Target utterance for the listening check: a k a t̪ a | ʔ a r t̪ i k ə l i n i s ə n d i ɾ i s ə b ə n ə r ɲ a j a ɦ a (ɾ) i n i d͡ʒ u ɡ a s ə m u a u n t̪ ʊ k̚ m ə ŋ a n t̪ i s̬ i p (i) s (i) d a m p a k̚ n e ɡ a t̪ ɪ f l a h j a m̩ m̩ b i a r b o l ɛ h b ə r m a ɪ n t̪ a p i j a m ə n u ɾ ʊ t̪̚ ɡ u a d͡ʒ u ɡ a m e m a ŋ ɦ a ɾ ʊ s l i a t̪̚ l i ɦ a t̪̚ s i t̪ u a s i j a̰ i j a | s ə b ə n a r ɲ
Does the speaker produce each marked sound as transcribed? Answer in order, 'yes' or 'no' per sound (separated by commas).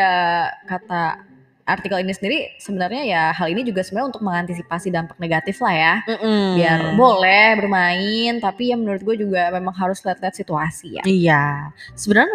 no, no, yes